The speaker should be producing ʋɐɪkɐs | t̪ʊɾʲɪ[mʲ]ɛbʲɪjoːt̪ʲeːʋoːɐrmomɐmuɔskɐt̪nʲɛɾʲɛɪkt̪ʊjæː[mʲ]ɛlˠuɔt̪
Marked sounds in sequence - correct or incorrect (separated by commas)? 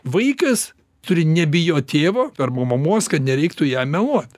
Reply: incorrect, correct